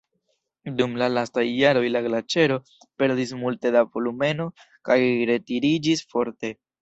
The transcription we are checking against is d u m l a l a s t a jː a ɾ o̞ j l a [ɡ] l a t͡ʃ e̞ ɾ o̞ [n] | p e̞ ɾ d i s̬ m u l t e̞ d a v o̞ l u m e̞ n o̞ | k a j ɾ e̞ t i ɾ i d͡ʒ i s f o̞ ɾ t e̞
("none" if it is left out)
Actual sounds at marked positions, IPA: ɡ, none

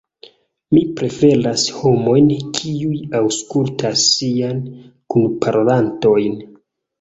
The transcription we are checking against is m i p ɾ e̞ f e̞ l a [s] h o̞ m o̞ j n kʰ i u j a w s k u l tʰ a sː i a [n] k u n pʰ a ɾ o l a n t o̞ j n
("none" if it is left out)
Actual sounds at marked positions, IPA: s, n

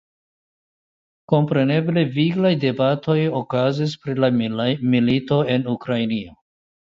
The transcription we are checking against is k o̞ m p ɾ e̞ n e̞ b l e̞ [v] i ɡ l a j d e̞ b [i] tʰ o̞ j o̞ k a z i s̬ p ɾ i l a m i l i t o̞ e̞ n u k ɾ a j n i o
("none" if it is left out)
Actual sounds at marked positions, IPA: v, a

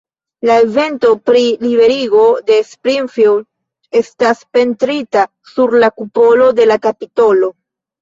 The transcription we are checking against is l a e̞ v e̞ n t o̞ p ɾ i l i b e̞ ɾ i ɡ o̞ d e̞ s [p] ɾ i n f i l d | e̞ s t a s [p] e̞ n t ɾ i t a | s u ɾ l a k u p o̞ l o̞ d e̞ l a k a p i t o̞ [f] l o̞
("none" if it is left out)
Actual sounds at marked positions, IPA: p, p, none

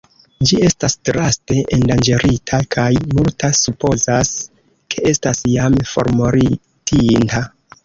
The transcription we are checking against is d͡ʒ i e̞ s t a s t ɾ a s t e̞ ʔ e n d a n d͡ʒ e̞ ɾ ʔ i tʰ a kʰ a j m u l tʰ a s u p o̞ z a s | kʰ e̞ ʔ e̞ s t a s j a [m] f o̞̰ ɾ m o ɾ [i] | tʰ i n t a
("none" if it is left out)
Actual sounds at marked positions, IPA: m, i

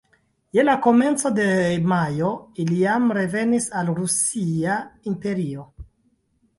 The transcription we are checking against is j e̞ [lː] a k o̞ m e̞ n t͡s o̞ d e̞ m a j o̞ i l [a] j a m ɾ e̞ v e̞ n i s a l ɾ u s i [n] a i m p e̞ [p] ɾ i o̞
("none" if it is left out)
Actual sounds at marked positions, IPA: l, i, none, none

